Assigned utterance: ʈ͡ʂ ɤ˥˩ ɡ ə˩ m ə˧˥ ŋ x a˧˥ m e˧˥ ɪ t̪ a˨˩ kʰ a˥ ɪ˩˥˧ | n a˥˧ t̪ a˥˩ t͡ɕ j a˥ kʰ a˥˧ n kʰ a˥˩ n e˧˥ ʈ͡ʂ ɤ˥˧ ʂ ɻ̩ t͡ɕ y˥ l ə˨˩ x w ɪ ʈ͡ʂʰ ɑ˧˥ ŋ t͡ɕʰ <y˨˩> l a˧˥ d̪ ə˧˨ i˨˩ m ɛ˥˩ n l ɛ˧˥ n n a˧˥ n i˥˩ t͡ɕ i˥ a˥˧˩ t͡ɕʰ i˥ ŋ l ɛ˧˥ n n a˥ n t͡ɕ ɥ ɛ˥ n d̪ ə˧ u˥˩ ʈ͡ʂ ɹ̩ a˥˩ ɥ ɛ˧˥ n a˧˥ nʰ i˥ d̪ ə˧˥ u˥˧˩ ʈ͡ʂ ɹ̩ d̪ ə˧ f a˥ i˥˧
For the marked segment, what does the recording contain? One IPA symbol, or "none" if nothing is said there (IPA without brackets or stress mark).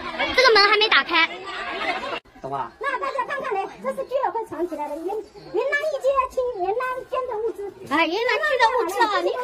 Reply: i˨˩